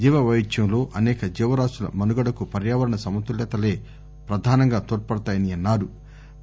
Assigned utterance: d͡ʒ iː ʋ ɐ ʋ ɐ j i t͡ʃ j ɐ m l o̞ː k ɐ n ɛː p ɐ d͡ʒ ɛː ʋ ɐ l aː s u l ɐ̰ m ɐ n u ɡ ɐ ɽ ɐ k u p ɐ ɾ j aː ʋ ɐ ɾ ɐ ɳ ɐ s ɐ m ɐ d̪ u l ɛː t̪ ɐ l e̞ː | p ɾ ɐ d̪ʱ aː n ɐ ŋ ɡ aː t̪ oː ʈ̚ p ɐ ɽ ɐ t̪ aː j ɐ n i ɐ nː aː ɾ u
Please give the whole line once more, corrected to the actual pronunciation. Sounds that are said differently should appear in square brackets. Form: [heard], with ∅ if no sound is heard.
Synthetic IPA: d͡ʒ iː ʋ ɐ ʋ ɐ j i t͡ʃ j ɐ m l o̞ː [ʔ] ɐ n ɛː [k] ɐ d͡ʒ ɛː ʋ ɐ [ɾ] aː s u l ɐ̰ m ɐ n u ɡ ɐ ɽ ɐ k u p ɐ ɾ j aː ʋ ɐ ɾ ɐ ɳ ɐ s ɐ m ɐ [t̪] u l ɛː t̪ ɐ l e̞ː | p ɾ ɐ d̪ʱ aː n ɐ ŋ ɡ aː t̪ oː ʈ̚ p ɐ ɽ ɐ t̪ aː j ɐ n i ɐ nː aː ɾ u